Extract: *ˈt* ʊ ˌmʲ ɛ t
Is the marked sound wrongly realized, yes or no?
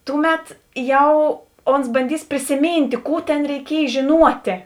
no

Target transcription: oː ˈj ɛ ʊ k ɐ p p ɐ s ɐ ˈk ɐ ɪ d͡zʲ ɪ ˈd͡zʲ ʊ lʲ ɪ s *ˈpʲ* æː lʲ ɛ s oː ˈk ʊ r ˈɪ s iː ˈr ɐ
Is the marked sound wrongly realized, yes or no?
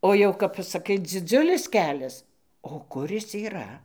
yes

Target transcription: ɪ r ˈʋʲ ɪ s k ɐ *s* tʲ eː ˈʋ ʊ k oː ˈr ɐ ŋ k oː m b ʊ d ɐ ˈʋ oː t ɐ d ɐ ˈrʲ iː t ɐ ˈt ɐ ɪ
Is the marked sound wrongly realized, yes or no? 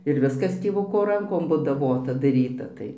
no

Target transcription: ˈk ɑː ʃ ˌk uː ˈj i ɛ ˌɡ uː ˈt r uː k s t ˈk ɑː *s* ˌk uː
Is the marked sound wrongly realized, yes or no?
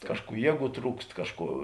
yes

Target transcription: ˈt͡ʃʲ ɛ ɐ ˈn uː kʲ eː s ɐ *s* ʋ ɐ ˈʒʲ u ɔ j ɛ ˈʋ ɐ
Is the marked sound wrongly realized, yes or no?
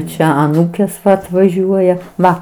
yes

